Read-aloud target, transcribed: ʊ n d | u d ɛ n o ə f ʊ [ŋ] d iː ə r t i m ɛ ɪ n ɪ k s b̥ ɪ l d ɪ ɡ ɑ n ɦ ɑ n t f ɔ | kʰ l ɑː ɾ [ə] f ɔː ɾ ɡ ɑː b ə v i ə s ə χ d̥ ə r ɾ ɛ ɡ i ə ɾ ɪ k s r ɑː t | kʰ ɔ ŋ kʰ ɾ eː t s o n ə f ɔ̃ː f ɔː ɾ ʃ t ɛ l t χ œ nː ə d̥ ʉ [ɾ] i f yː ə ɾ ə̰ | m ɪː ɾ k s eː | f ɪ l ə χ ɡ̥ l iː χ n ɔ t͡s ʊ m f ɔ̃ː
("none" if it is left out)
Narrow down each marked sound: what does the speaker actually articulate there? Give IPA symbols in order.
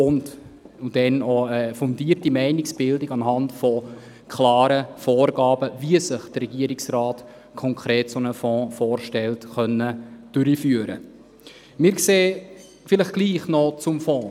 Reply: n, ə, ɾ

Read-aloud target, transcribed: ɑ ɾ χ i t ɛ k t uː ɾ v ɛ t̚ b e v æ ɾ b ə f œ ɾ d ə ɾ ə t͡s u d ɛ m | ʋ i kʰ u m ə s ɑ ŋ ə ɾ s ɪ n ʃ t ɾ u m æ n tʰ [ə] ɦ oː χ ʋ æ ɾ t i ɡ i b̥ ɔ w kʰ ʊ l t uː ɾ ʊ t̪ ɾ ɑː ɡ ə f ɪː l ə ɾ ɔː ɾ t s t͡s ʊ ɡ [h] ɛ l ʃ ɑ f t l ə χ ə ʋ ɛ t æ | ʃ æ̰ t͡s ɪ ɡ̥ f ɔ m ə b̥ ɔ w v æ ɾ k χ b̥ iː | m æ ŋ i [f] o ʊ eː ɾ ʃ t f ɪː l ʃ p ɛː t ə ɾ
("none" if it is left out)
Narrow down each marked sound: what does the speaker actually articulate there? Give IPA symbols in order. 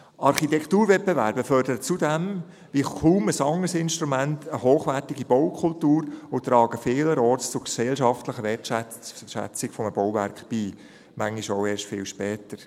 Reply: ə, s, ʃ

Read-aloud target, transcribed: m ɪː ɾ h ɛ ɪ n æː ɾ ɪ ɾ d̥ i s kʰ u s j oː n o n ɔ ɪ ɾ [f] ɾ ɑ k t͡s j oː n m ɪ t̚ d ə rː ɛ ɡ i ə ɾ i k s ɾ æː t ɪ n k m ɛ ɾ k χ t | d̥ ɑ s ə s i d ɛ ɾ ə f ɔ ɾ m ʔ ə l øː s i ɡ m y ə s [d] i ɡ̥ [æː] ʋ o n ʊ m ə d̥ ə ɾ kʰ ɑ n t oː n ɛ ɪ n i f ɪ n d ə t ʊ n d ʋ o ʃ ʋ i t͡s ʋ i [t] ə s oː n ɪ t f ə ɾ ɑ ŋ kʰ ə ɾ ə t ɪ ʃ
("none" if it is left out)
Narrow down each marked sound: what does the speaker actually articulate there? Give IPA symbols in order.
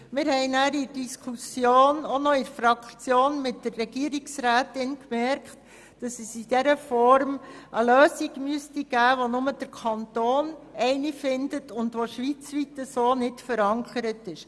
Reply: f, t, æː, t

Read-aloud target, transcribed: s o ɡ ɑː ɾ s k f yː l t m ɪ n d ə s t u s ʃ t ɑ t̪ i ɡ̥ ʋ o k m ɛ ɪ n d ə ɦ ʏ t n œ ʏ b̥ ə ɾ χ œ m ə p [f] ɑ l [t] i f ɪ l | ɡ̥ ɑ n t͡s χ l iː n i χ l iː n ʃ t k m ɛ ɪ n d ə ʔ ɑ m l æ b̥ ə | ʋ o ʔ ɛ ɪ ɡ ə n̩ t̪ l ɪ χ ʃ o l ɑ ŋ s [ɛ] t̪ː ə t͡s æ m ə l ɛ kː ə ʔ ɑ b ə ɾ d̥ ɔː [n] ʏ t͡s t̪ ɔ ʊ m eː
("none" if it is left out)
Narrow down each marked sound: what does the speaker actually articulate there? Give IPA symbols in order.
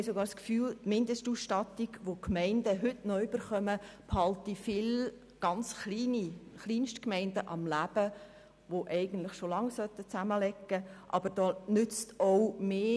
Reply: h, t, œ, n

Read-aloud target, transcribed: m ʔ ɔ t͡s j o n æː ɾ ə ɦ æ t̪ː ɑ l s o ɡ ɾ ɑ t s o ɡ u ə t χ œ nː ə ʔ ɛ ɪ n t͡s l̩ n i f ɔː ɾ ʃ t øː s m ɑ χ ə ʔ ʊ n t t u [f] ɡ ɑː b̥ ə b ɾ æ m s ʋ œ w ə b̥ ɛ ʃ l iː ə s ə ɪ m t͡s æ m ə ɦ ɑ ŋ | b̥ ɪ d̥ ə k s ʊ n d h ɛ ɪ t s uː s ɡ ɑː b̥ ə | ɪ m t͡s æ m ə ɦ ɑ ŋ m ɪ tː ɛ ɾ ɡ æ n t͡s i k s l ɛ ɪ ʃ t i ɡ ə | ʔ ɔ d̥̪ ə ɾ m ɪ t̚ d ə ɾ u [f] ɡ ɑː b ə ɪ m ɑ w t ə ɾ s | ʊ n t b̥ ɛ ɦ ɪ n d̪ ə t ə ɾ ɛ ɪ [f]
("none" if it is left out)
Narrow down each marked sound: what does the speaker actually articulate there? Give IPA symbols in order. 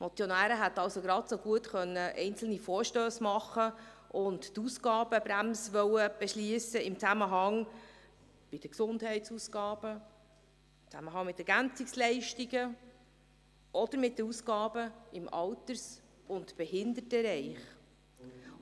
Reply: s, s, χ

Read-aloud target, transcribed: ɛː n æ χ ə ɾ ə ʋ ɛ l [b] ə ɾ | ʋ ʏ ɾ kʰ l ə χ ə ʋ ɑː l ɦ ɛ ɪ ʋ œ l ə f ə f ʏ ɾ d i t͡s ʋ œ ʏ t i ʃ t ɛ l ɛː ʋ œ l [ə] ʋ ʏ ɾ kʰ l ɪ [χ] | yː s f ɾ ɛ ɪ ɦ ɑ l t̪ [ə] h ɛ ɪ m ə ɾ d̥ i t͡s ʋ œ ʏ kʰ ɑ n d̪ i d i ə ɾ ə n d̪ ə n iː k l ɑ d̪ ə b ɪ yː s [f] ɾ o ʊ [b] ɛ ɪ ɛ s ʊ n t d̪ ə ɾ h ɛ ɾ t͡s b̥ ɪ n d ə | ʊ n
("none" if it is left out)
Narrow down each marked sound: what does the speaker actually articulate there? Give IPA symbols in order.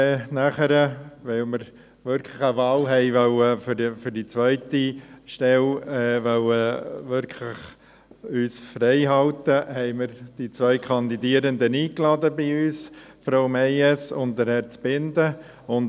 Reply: m, ə, χ, ə, f, m

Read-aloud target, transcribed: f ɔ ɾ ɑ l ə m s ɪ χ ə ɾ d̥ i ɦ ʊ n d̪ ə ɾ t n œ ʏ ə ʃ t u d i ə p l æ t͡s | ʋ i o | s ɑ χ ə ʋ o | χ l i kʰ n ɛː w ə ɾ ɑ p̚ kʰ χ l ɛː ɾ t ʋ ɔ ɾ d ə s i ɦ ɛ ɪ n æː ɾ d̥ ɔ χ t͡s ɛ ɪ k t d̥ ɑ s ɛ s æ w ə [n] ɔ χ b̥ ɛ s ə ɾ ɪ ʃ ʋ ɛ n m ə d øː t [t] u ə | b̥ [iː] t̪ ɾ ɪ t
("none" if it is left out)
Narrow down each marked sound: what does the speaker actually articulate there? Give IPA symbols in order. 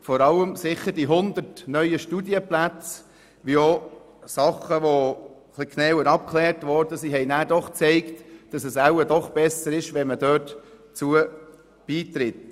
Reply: d, t͡s, iː

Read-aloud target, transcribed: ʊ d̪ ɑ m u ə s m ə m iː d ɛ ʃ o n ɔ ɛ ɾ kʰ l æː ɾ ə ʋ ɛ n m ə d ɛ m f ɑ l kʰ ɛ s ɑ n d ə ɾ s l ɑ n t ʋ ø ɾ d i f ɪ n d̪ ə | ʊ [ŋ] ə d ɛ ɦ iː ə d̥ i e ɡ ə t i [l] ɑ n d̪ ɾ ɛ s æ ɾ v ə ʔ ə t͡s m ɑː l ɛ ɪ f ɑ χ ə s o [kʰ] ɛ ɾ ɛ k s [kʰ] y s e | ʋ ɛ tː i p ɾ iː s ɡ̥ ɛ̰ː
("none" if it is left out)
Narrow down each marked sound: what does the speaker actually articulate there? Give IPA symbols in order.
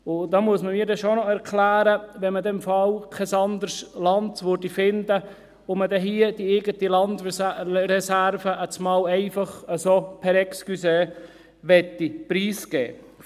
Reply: m, l, pʰ, k

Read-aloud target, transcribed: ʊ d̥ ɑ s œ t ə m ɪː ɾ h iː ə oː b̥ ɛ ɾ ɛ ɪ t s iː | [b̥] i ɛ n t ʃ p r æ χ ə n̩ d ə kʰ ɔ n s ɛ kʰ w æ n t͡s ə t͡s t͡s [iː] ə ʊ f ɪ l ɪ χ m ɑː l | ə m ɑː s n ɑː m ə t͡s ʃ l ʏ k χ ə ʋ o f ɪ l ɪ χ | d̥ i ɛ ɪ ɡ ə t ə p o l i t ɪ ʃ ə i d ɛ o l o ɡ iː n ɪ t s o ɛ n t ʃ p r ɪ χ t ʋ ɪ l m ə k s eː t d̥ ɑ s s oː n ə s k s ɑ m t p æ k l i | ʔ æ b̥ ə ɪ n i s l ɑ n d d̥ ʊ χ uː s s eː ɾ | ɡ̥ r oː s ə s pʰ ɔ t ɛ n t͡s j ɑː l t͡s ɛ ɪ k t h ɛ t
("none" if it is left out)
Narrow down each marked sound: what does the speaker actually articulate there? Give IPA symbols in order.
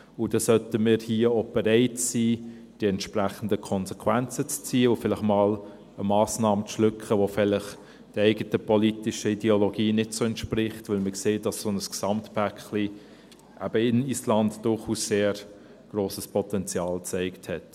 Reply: d̥, iː

